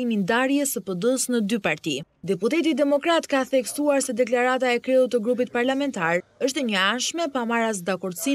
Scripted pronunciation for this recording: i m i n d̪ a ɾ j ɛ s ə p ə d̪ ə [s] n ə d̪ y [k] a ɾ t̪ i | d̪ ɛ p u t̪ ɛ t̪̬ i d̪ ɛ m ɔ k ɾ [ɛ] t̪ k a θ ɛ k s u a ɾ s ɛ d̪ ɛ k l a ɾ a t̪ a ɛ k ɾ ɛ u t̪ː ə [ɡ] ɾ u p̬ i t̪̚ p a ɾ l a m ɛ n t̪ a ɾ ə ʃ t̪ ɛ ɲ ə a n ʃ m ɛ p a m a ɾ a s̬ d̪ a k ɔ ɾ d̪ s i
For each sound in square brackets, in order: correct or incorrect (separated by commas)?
correct, incorrect, incorrect, correct